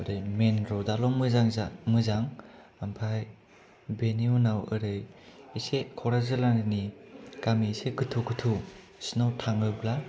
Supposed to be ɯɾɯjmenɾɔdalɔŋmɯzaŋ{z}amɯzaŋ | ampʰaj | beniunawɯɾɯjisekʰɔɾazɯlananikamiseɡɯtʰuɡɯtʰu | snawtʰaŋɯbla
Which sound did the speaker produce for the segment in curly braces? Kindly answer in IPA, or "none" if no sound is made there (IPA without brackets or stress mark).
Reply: z